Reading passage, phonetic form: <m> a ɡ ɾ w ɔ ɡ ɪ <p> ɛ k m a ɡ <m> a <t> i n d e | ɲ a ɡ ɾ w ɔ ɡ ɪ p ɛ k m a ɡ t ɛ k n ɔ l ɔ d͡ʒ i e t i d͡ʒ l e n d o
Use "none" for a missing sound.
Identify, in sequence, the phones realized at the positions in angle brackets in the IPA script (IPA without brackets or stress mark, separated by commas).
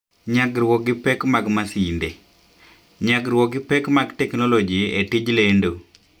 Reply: ɲ, p, m, s